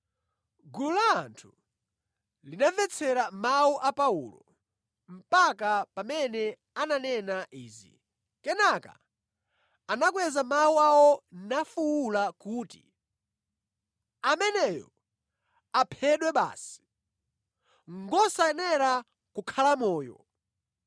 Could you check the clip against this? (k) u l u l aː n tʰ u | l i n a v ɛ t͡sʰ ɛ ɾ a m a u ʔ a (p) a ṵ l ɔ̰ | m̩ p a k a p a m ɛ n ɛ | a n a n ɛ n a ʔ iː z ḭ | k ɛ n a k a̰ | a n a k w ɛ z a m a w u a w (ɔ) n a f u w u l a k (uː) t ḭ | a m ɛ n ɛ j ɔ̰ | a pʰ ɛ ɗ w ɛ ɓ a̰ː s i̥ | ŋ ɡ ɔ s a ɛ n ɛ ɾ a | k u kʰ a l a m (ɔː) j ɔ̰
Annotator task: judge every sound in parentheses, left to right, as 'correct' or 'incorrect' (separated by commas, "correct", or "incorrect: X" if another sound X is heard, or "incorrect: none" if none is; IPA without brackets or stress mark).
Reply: incorrect: ɡ, correct, correct, correct, correct